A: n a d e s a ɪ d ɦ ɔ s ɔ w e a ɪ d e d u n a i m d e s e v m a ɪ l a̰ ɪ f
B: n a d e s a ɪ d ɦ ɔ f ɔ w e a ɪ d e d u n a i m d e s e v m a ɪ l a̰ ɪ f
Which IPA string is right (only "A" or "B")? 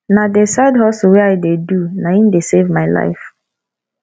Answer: A